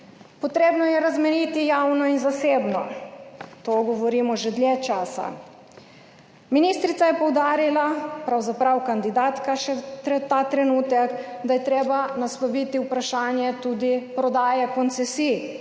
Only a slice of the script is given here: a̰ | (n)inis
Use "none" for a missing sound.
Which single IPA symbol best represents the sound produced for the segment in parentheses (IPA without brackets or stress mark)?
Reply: m